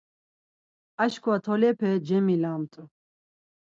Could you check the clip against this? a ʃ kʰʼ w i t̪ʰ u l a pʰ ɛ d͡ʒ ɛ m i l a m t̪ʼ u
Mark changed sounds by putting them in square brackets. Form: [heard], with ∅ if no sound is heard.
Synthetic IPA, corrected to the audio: a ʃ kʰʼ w [a] t̪ʰ [ɔ] l [ɛ] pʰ ɛ d͡ʒ ɛ m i l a m t̪ʼ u